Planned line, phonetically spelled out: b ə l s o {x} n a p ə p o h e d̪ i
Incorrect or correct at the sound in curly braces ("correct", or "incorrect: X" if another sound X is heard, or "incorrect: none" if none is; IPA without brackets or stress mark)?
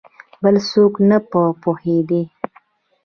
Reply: incorrect: k